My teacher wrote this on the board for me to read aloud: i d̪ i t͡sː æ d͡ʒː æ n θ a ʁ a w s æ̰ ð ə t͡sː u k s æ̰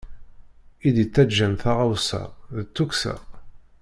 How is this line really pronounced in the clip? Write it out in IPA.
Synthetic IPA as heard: i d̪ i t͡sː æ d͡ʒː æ n θ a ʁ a w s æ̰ ð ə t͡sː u k s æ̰